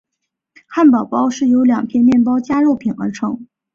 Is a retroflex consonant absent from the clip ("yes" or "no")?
no